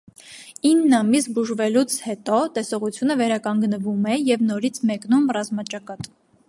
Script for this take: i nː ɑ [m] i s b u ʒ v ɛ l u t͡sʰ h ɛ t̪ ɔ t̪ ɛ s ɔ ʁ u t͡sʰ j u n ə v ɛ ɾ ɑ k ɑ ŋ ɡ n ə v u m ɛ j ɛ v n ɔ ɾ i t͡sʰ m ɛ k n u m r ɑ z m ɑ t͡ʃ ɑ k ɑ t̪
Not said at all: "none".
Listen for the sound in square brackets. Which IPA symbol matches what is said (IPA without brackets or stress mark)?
m